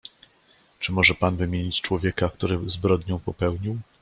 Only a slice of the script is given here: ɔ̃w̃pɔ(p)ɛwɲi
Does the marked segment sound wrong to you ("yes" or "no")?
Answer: no